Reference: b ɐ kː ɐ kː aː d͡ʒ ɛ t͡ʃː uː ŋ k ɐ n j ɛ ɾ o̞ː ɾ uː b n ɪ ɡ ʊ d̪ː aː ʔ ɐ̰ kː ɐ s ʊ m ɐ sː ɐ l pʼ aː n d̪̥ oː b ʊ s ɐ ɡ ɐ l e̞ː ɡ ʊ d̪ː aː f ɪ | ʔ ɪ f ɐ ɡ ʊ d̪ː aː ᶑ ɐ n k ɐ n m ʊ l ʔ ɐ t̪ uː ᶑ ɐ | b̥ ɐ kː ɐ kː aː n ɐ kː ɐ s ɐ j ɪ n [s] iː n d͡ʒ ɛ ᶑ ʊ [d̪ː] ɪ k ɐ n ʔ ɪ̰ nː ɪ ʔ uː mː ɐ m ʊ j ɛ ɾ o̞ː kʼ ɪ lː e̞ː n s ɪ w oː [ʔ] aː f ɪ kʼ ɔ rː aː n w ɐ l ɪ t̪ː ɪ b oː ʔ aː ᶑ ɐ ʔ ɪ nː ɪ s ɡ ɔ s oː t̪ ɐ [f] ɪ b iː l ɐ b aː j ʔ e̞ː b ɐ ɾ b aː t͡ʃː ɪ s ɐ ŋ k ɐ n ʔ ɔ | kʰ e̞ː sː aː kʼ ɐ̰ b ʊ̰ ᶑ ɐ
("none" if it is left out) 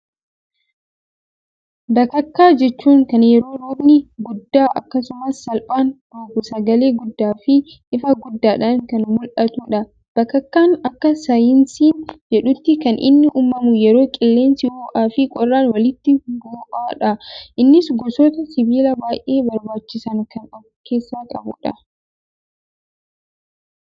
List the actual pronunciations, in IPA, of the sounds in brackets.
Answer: s, t̪ː, ʔ, s

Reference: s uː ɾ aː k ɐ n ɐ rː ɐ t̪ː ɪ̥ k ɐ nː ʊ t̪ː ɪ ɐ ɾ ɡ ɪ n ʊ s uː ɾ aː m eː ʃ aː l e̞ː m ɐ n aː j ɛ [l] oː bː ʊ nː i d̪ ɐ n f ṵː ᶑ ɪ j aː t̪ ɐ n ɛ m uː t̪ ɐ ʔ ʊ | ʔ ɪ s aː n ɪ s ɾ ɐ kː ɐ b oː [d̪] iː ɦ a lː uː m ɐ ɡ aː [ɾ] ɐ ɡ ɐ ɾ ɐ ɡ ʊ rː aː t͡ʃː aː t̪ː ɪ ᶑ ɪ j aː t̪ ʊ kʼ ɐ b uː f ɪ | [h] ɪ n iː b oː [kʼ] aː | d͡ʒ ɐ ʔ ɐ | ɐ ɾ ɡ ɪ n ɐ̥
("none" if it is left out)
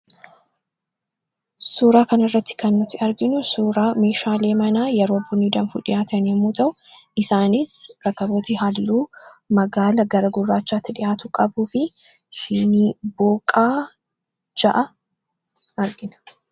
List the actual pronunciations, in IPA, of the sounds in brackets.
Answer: ɾ, t̪, l, ʃ, kʼ

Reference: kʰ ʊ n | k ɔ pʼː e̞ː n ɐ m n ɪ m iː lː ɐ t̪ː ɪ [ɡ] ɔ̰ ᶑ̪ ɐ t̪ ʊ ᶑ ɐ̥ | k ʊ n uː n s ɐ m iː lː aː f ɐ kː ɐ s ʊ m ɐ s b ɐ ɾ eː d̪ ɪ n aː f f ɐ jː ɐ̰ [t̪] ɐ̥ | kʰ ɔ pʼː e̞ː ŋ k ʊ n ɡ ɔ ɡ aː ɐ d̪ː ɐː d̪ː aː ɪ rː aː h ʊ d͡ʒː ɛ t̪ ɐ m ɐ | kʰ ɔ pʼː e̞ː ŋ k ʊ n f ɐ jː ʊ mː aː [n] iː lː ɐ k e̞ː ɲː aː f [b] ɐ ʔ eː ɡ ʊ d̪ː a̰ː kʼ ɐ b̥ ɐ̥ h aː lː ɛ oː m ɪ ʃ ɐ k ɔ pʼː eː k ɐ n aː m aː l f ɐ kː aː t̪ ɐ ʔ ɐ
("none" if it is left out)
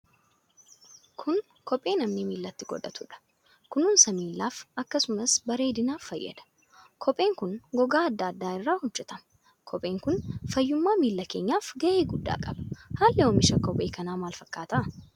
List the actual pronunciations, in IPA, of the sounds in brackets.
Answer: ɡ, d̪, m, ɡ

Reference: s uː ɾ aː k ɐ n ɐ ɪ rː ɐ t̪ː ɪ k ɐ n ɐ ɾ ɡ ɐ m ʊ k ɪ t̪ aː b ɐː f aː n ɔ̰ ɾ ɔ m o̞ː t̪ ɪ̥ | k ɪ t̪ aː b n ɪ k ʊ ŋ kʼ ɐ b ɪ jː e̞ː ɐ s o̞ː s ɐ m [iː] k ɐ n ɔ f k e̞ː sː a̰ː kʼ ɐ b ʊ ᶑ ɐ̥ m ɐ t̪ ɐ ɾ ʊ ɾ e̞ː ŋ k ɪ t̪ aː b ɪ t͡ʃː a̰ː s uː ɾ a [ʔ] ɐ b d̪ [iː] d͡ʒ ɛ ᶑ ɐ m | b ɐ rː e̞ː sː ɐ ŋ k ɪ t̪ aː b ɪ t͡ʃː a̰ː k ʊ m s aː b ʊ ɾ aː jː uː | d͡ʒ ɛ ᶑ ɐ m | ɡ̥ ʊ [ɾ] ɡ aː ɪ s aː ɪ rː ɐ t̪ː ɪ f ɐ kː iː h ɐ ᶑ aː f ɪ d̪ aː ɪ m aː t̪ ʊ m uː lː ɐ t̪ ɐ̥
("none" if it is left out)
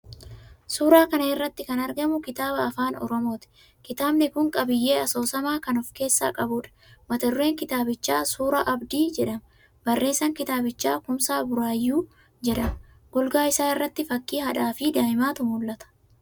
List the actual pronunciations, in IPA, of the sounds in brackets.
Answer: aː, ʔ, iː, l

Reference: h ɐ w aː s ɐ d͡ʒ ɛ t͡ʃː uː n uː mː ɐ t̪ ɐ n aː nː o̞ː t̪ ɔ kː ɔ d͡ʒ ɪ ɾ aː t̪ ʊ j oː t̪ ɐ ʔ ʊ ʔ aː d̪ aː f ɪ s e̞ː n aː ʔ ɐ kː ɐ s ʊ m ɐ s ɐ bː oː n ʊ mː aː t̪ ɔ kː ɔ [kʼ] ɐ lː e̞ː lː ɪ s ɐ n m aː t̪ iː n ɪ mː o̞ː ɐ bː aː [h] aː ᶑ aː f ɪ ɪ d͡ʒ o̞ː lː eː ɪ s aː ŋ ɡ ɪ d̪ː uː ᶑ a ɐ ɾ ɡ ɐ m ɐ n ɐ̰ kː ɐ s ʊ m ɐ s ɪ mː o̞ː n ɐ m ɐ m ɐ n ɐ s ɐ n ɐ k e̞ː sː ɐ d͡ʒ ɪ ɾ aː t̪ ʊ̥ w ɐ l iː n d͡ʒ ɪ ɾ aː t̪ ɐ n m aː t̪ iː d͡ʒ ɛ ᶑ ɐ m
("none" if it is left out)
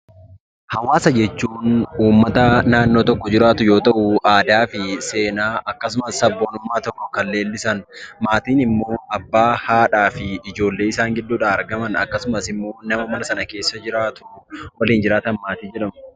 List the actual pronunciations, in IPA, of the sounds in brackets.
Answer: k, h

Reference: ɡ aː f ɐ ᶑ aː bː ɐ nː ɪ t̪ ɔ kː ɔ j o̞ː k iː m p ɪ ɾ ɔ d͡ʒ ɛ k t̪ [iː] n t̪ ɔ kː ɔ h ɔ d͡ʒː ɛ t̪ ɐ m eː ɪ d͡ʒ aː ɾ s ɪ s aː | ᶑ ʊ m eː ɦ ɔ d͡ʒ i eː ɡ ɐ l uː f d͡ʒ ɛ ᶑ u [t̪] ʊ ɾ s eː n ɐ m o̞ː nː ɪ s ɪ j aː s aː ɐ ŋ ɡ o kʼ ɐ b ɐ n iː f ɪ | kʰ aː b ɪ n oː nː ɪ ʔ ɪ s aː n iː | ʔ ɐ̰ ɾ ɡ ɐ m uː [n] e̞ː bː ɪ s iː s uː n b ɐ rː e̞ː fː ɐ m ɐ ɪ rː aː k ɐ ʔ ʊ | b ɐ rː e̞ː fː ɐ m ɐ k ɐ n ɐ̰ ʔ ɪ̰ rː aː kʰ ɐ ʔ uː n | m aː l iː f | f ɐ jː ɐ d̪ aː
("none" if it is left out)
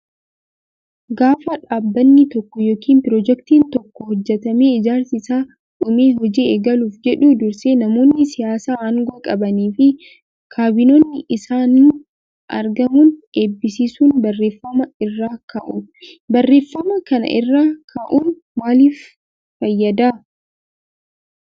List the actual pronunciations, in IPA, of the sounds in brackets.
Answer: iː, d̪, n

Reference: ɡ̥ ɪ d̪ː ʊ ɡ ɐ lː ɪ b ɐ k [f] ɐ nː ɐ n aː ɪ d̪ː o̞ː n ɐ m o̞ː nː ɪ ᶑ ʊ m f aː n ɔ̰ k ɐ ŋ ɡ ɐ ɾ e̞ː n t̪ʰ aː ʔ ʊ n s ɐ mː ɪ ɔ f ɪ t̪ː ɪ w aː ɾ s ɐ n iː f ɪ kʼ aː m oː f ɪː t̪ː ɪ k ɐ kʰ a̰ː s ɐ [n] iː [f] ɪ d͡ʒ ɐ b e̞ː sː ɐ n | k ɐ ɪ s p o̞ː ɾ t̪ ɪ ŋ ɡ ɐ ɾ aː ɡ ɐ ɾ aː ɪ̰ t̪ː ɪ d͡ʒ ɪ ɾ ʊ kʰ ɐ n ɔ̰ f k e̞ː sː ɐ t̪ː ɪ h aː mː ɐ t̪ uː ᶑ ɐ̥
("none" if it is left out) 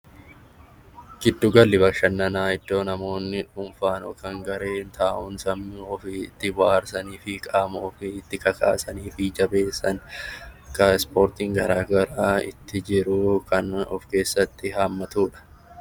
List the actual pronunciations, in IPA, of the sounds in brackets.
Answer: ʃ, n, f

